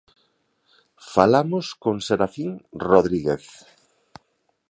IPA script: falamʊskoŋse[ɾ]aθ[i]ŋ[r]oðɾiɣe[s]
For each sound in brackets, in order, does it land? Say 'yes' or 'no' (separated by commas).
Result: yes, yes, yes, no